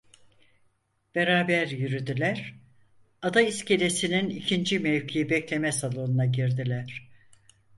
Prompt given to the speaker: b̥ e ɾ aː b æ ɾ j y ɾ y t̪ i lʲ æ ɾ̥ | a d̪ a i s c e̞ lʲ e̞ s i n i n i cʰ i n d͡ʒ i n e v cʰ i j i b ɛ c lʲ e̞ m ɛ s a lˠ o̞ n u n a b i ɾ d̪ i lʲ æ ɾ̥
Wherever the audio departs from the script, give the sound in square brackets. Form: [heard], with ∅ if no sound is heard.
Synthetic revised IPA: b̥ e ɾ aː b æ ɾ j y ɾ y [d̪] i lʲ æ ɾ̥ | a d̪ a i s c e̞ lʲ e̞ s i n i n i cʰ i n d͡ʒ i [m] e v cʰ i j i b ɛ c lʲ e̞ m ɛ s a lˠ o̞ n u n a [ɟ] i ɾ d̪ i lʲ æ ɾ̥